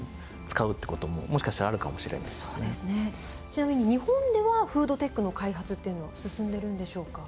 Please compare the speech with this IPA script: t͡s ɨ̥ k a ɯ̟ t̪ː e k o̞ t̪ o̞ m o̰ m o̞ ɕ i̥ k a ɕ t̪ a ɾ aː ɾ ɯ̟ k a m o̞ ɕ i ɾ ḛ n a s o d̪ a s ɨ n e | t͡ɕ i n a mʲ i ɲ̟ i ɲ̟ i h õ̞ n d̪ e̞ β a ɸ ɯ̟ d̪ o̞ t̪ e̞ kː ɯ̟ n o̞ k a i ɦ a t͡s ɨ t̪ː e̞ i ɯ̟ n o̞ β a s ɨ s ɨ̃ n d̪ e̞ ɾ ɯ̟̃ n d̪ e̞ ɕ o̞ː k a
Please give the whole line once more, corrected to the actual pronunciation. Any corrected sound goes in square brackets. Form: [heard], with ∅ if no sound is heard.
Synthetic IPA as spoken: t͡s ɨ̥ k a ɯ̟ t̪ː e k o̞ t̪ o̞ m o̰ m o̞ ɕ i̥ k a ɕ t̪ a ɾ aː ɾ ɯ̟ k a m o̞ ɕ i ɾ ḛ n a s o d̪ [e] s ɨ n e | t͡ɕ i n a mʲ i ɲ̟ i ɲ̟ i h õ̞ n d̪ e̞ β a ɸ [ɯ̟ː] d̪ o̞ t̪ e̞ kː ɯ̟ n o̞ k a i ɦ a t͡s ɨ t̪ː e̞ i ɯ̟ n o̞ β a s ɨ s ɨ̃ n d̪ e̞ ɾ ɯ̟̃ n d̪ e̞ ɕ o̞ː k a